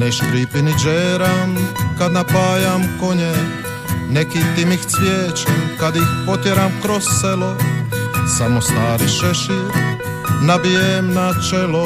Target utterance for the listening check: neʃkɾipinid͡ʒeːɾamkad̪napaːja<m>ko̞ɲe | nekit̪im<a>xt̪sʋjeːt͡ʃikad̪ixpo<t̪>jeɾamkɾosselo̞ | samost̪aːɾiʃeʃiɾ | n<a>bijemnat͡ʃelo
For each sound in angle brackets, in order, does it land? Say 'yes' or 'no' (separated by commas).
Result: yes, no, yes, yes